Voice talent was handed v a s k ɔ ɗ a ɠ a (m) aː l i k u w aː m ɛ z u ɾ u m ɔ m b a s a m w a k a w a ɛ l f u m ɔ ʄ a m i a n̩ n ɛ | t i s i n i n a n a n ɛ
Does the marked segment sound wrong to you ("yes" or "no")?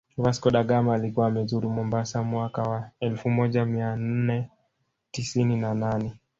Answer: no